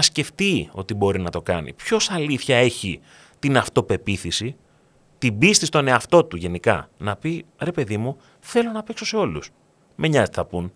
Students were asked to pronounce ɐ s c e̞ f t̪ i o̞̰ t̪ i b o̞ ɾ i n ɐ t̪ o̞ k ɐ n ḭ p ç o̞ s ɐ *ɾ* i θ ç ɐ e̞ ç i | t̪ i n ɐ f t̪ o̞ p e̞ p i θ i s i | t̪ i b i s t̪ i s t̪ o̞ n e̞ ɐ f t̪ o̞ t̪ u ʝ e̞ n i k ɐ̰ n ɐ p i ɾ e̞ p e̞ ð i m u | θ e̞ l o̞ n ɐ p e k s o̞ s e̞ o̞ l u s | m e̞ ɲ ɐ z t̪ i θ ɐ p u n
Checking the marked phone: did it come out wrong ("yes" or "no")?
yes